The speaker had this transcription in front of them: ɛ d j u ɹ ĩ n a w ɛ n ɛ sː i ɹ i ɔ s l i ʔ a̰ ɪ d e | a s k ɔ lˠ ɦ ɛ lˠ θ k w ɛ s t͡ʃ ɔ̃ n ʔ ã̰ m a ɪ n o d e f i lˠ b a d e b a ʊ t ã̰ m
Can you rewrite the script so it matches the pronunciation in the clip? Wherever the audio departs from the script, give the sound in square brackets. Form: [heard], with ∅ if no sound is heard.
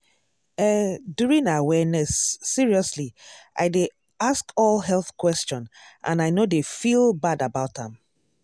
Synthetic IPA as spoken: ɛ d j u ɹ ĩ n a w ɛ n ɛ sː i ɹ i ɔ s l i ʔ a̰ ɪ d e | a s k ɔ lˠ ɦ ɛ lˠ θ k w ɛ s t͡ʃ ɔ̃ n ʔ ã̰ [n] a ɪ n o d e f i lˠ b a d [a] b a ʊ t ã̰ m

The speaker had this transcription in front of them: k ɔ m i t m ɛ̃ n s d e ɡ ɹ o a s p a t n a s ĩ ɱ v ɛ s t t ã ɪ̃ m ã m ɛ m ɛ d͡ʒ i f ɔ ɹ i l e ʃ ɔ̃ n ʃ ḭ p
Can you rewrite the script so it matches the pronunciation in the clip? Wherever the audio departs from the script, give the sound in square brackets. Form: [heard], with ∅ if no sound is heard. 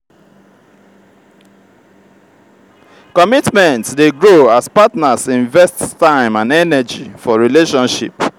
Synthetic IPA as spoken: k ɔ m i t m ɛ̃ n [t] d e ɡ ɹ o a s p a t n a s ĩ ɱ v ɛ s t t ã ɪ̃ m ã [n] ɛ [n] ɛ d͡ʒ i f ɔ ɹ i l e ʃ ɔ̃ n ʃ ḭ p

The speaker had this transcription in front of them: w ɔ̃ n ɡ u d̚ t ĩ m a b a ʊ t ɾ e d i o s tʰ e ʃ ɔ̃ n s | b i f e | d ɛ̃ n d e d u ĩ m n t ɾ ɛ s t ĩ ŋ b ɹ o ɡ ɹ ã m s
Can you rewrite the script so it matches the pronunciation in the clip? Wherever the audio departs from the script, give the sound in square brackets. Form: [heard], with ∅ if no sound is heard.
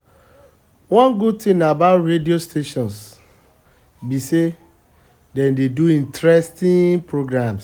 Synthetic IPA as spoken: w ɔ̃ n ɡ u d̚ t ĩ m a b a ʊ t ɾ e d i o s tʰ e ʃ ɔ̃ n s | b i [s] e | d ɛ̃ n d e d u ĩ [∅] n t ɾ ɛ s t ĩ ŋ [p] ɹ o ɡ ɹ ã m s

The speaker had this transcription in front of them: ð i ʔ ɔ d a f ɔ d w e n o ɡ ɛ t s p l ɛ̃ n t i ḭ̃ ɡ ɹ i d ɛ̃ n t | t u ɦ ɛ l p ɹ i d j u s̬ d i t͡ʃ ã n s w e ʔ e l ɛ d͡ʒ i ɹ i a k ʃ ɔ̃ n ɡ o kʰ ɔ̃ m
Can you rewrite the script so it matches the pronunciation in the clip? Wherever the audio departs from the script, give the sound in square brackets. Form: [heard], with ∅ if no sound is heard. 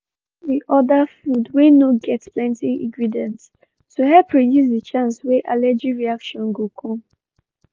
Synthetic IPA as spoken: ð i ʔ ɔ d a f [u] d w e n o ɡ ɛ t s p l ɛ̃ n t i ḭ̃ ɡ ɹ i d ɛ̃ n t | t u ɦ ɛ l p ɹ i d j u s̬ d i t͡ʃ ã n s w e ʔ [a] l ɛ d͡ʒ i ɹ i a k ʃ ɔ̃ n ɡ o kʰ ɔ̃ m

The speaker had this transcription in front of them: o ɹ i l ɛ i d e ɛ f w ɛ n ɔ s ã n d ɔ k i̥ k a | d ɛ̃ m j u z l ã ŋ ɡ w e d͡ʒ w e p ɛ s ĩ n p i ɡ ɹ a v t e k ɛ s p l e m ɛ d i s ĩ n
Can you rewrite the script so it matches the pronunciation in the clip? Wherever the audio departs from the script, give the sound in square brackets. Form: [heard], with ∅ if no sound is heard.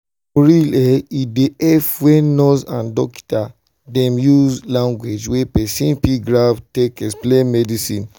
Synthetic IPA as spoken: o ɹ i l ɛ i d e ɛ f w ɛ n ɔ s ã n d ɔ k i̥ [t] a | d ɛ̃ m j u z l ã ŋ ɡ w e d͡ʒ w e p ɛ s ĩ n p i ɡ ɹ a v t e k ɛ s p l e m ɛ d i s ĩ n

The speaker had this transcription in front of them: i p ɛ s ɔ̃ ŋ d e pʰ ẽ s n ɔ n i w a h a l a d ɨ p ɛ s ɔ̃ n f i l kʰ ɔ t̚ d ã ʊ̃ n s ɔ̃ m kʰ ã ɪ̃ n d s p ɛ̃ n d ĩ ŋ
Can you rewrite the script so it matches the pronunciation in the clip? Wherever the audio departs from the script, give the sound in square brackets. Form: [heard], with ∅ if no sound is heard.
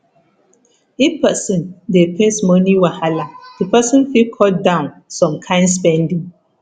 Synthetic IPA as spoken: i p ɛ s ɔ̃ [n] d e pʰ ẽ s [m] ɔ n i w a h a l a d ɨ p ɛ s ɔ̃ n f i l kʰ ɔ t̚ d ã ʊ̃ n s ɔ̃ m kʰ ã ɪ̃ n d s p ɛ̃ n d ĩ ŋ

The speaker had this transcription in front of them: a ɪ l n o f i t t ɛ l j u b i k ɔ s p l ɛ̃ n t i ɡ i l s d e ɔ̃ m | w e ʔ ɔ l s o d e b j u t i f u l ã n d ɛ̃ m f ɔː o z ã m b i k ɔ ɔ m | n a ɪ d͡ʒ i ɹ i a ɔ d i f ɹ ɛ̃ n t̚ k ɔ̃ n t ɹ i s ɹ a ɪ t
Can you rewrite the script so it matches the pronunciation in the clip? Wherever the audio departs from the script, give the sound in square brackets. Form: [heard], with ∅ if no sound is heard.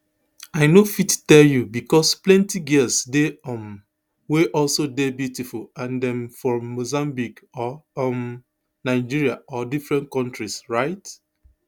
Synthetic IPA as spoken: a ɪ [∅] n o f i t t ɛ l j u b i k ɔ s p l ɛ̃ n t i ɡ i l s d e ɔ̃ m | w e ʔ ɔ l s o d e b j u t i f u l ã n d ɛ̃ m f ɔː o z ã m b i k ɔ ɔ m | n a ɪ d͡ʒ i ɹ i a ɔ d i f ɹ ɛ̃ n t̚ k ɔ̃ n t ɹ i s ɹ a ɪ t

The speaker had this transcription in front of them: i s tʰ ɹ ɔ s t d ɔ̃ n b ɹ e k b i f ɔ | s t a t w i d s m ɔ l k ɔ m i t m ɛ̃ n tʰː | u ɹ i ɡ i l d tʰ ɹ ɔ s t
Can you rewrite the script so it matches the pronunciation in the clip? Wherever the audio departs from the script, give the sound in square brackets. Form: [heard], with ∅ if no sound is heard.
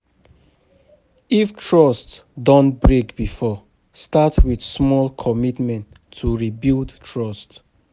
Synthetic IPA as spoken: i [f] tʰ ɹ ɔ s t d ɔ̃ n b ɹ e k b i f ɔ | s t a t w i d s m ɔ l [kʰ] ɔ m i t m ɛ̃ n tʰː | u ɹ i [b] i l d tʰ ɹ ɔ s t

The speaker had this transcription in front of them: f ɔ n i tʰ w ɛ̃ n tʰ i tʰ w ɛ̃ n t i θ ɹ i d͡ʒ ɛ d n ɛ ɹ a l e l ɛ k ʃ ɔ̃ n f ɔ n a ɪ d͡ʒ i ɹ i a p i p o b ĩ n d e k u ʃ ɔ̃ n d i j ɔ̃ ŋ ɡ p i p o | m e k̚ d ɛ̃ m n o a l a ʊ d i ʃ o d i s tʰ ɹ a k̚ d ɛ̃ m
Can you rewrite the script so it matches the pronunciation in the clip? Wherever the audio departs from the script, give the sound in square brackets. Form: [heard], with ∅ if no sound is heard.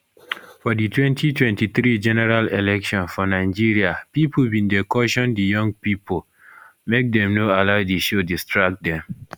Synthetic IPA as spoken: f ɔ [d] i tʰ w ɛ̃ n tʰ i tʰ w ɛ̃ n t i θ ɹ i d͡ʒ ɛ [∅] n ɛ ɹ a l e l ɛ k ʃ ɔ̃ n f ɔ n a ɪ d͡ʒ i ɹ i a p i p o b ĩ n d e k [ɔ] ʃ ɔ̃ n d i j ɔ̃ ŋ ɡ p i p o | m e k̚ d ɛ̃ m n o a l a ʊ d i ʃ o d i s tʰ ɹ a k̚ d ɛ̃ m

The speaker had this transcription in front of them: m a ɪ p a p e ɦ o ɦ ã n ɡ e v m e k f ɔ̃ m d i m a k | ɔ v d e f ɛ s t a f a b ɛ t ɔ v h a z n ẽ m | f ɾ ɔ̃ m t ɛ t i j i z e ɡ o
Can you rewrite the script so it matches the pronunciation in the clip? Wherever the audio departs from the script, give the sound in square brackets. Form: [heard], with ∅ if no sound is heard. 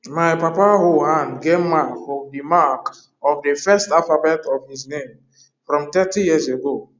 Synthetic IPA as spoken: m a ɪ p a p [a] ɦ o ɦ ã n ɡ e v m [a] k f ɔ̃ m d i m a k | ɔ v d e f ɛ s t a f a b ɛ t ɔ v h [i] z n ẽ m | f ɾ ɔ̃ m t ɛ t i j i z e ɡ o

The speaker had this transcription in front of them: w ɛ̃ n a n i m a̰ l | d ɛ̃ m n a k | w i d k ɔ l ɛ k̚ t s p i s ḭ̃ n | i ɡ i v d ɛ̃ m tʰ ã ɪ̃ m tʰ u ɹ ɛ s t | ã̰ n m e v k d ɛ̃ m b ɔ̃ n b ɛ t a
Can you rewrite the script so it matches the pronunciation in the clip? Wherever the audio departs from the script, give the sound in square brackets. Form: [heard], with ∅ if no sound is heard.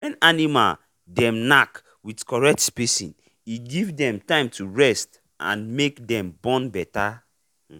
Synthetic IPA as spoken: w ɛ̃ n a n i m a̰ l | d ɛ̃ m n a k | w i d k ɔ [ɹ] ɛ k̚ t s p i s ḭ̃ n | i ɡ i v d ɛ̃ m [t] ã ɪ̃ m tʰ u ɹ ɛ s t | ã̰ n m e [∅] k d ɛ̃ m b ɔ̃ n b ɛ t a

